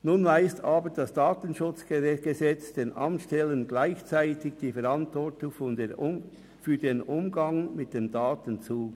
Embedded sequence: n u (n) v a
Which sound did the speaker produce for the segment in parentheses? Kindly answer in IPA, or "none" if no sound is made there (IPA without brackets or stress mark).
n